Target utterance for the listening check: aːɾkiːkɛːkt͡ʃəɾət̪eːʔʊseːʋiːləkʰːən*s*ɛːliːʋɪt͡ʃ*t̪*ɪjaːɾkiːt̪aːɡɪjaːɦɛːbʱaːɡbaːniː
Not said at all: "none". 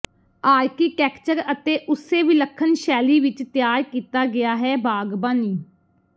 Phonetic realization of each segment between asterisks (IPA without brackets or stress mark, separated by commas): ʃ, t̪